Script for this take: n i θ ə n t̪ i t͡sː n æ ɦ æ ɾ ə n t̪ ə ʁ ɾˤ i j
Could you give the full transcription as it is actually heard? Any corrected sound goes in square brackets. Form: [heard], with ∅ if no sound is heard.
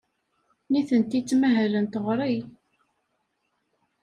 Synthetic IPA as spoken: n i θ ə n t̪ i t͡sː [m] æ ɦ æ [l] ə n t̪ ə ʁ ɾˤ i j